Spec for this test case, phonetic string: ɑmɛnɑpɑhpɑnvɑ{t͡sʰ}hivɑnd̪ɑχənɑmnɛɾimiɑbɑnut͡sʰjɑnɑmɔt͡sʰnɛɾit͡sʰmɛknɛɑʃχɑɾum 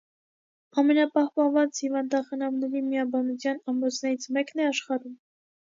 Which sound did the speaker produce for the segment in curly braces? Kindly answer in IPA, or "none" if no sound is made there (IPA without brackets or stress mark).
t͡s